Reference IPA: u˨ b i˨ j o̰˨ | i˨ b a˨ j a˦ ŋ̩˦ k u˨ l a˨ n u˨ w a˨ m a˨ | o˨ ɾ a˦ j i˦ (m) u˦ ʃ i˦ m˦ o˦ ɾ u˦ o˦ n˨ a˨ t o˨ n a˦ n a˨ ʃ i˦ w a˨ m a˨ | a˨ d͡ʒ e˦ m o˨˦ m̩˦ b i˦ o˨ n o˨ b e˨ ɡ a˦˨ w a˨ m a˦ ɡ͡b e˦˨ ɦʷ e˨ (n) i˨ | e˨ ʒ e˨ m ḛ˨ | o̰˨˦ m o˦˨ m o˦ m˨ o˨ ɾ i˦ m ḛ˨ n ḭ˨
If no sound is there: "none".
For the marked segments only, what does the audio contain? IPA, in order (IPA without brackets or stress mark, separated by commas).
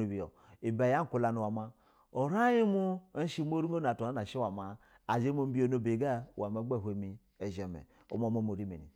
m, m